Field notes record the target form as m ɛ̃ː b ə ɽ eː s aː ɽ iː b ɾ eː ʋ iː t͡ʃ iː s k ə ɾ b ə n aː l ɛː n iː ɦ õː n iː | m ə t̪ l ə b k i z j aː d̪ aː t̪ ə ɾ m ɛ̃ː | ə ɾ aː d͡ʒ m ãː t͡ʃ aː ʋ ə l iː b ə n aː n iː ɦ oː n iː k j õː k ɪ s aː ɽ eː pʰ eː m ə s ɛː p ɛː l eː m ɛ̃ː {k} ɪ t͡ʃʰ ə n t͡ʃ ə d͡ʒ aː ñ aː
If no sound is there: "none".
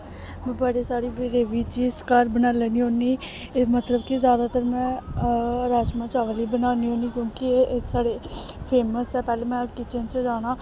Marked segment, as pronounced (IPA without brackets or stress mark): k